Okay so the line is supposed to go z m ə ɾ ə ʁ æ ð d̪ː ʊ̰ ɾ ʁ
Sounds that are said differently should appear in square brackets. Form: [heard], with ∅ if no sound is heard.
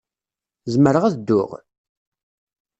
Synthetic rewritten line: z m ə ɾ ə ʁ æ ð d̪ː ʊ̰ [∅] ʁ